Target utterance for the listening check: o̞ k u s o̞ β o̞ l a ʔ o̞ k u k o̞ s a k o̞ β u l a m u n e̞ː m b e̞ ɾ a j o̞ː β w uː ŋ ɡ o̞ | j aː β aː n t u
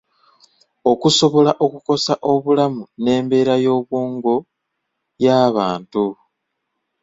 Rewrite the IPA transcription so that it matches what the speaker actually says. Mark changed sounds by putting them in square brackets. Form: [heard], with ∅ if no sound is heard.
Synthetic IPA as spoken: o̞ k u s o̞ β o̞ l a ʔ o̞ k u k o̞ s a [ʔ] o̞ β u l a m u n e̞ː m b e̞ ɾ a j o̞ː β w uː ŋ ɡ o̞ | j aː β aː n t u

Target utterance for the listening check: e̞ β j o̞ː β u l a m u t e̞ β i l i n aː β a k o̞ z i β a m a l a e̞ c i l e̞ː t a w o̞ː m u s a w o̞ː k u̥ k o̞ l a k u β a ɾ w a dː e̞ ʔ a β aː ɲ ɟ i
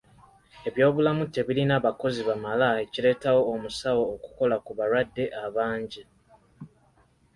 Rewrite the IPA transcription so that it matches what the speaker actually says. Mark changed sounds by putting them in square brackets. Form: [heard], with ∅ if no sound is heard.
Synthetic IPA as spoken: e̞ β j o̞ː β u l a m u t e̞ β i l i n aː β a k o̞ z i β a m a l a e̞ c i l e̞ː t a w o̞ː m u s a w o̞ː k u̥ k o̞ l a k u β a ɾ w a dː e̞ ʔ a β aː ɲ ɟ i

